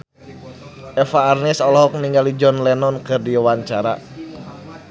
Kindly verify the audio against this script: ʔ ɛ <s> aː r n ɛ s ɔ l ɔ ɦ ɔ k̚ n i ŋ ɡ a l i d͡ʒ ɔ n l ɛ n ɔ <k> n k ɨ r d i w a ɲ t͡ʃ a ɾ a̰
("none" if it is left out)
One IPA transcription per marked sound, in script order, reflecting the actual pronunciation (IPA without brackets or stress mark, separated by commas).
f, none